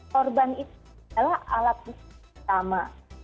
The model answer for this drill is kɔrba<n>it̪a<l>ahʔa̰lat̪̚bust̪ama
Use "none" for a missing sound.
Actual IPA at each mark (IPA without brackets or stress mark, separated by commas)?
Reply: n, l